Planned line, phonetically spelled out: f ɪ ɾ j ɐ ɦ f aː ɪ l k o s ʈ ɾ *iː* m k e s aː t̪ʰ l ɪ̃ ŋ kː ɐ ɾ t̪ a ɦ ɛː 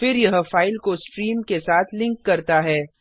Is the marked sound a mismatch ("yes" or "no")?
no